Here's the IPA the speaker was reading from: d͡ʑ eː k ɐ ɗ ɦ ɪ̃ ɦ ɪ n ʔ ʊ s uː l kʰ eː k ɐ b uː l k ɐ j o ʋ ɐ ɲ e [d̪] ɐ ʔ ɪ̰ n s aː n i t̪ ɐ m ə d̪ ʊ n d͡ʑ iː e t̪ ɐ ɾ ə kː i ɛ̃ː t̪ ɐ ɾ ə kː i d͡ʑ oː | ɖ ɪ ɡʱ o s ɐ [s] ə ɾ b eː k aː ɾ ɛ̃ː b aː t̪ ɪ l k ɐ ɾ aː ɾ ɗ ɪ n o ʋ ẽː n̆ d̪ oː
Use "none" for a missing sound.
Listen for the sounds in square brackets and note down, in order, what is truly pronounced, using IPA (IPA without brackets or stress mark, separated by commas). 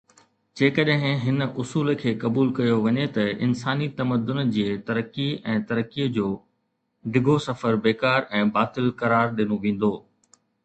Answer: t̪, f